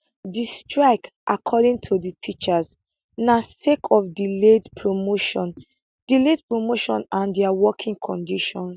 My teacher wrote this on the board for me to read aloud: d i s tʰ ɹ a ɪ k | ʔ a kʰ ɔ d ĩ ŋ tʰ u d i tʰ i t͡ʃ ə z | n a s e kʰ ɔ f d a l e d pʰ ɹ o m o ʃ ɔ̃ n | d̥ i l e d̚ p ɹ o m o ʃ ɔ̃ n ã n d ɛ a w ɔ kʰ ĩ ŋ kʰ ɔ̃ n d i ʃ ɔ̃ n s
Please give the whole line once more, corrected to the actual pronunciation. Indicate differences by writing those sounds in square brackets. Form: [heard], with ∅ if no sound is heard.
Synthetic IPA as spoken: d i s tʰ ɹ a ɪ k | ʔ a kʰ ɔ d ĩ ŋ tʰ u d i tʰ i t͡ʃ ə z | n a s e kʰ ɔ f d [i] l e d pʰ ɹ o m o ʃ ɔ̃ n | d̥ i l e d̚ p ɹ o m o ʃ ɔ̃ n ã n d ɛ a w ɔ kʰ ĩ ŋ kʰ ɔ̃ n d i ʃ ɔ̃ n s